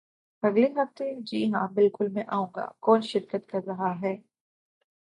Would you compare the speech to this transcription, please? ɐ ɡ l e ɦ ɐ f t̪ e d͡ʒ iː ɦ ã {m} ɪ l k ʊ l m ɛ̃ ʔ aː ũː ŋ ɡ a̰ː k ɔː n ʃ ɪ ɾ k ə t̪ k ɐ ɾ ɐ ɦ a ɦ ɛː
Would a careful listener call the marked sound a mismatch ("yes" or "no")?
yes